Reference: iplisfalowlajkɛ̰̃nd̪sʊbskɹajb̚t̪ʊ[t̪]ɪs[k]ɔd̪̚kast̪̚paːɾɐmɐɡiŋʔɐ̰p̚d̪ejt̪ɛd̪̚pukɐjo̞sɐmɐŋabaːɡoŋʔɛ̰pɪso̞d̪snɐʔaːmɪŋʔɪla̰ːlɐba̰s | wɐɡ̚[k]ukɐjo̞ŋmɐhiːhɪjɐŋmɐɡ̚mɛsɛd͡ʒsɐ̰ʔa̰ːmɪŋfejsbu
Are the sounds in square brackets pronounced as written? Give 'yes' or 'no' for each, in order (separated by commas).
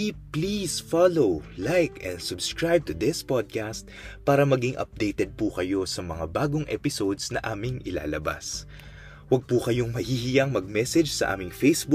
no, no, no